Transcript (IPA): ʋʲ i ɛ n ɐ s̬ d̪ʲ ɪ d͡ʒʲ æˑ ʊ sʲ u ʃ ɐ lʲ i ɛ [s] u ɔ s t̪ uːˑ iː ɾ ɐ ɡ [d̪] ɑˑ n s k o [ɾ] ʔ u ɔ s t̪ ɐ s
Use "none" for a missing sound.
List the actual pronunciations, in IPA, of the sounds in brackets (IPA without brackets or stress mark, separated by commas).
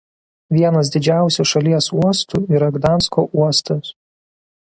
s, d̪, none